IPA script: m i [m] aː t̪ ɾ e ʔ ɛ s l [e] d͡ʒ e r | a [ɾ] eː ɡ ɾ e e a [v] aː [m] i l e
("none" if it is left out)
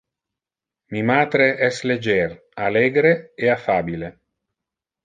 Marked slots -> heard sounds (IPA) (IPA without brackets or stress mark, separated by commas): m, e, l, f, b